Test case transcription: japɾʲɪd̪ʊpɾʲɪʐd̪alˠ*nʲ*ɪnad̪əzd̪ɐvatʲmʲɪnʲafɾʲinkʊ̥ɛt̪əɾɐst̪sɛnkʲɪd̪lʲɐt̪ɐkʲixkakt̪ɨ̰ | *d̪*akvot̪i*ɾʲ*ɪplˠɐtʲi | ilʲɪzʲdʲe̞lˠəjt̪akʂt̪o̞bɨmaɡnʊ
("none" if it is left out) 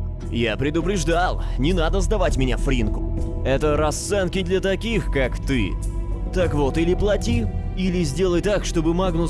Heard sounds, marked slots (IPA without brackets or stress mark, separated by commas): nʲ, t̪, lʲ